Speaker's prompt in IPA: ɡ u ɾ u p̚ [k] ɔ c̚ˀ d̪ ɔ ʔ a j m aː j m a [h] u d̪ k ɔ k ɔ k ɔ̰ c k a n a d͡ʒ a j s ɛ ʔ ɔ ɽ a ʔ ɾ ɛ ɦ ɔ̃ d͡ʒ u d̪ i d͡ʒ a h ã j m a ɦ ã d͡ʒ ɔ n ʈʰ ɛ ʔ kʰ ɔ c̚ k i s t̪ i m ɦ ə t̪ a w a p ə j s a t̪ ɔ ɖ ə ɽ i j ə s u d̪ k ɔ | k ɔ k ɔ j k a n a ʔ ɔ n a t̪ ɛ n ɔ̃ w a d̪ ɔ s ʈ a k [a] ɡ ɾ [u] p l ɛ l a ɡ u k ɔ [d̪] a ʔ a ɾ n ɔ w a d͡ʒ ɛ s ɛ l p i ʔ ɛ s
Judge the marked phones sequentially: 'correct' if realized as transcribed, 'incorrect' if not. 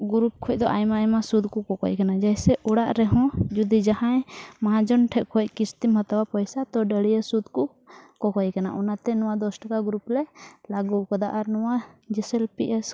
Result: incorrect, incorrect, correct, correct, correct

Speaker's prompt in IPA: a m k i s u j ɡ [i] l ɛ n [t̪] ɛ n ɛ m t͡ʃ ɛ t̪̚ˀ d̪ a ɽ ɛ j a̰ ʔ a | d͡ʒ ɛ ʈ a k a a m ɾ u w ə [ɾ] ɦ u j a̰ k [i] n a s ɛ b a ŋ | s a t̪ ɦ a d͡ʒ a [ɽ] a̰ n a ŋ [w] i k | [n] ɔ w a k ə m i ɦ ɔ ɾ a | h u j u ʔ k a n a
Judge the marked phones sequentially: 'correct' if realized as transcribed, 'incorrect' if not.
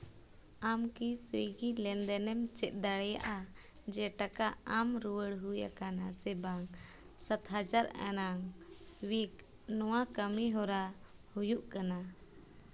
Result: correct, incorrect, incorrect, incorrect, incorrect, correct, correct

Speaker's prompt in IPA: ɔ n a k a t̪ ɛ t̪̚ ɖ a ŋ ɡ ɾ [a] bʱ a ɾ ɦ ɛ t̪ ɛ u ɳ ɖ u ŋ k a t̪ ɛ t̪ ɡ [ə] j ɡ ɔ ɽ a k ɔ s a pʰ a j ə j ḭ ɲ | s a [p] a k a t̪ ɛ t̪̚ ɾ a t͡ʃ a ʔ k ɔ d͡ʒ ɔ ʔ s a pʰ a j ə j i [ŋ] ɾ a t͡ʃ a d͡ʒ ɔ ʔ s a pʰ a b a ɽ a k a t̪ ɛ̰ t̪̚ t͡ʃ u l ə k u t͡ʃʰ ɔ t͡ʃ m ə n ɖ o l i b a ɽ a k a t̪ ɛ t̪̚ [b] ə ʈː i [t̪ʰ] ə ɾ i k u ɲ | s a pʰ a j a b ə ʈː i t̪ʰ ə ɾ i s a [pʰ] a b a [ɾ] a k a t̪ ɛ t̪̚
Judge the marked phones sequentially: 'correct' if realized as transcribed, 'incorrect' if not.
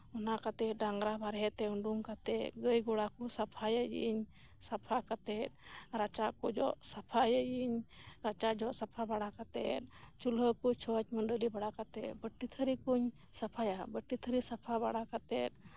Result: correct, correct, incorrect, incorrect, correct, correct, correct, incorrect

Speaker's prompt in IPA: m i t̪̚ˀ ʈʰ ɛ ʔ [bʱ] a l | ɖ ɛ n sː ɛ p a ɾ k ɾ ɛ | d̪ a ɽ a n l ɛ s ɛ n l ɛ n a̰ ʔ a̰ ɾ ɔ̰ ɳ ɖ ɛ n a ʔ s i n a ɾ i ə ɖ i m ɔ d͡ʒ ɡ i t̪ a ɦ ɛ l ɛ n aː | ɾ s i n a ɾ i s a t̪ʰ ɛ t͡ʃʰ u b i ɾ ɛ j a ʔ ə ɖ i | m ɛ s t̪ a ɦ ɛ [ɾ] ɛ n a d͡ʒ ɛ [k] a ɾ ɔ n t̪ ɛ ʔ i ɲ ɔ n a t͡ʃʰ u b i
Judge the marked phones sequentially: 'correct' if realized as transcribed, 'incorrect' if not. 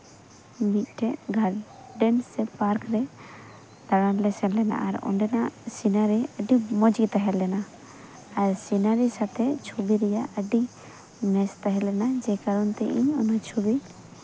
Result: incorrect, incorrect, correct

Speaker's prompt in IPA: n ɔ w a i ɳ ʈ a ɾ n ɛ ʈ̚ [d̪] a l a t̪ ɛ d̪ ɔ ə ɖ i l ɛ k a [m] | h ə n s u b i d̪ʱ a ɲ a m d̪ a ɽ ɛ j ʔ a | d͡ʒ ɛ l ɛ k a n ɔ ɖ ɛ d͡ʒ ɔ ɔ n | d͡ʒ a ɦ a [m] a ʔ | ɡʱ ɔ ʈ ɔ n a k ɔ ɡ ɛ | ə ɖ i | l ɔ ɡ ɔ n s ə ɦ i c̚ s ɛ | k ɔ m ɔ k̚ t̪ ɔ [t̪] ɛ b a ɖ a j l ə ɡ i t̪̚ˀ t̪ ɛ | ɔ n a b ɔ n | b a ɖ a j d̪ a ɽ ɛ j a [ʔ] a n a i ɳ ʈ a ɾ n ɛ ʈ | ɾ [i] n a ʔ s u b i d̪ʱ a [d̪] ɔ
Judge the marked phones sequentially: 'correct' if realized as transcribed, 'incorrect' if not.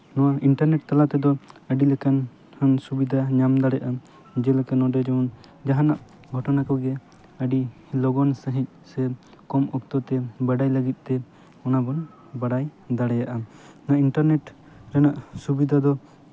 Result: incorrect, incorrect, incorrect, correct, correct, incorrect, correct

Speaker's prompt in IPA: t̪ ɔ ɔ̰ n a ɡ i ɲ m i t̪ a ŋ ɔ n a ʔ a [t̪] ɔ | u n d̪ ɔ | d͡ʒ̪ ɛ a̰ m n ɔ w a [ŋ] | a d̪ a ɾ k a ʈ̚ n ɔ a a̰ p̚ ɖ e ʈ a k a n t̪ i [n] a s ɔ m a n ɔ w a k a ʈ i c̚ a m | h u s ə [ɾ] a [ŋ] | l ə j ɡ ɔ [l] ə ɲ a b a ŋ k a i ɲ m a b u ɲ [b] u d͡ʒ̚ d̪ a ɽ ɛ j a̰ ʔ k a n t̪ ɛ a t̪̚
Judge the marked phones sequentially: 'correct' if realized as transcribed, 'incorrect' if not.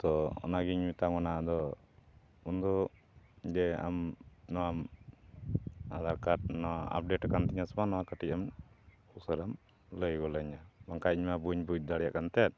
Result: incorrect, incorrect, incorrect, correct, incorrect, correct, correct

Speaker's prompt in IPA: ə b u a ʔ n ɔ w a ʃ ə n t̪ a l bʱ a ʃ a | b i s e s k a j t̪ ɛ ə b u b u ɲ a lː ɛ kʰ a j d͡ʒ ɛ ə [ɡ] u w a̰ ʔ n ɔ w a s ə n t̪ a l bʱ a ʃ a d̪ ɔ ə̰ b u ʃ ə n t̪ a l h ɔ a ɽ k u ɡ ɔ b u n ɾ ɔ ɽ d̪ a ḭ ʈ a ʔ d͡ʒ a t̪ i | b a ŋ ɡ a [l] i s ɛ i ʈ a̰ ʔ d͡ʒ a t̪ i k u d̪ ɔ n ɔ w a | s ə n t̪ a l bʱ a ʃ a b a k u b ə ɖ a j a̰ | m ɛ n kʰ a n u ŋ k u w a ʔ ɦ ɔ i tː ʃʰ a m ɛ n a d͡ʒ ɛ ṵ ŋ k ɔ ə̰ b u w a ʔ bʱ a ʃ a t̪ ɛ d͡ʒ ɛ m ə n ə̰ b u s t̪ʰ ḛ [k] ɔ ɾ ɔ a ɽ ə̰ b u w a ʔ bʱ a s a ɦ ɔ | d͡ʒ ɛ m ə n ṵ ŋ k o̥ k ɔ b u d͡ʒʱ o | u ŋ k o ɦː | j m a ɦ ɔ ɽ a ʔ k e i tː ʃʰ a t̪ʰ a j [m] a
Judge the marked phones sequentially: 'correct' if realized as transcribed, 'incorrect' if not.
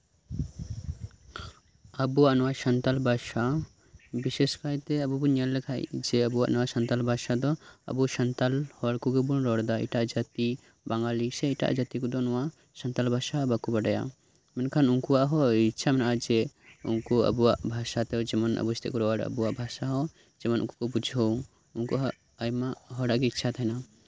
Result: incorrect, correct, correct, incorrect

